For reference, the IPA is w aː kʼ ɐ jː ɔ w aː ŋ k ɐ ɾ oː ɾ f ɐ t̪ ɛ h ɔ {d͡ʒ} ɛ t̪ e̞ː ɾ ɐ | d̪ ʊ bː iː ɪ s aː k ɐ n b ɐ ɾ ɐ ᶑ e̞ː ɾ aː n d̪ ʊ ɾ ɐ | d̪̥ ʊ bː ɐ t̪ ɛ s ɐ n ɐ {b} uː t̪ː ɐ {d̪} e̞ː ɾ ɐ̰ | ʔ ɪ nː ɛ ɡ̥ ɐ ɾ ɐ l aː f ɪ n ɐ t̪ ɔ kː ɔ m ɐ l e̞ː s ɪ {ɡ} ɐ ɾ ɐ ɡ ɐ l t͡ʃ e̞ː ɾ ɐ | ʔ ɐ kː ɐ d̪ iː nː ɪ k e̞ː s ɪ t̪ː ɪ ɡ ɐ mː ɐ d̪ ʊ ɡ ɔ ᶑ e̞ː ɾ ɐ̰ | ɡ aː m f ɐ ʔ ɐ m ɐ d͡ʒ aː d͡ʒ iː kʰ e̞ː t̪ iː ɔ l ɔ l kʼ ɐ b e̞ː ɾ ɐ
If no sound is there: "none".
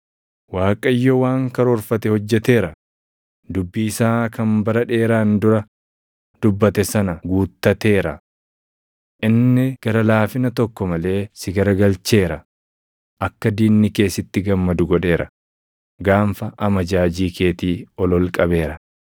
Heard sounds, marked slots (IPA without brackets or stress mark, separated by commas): d͡ʒː, ɡ, t̪, ɡ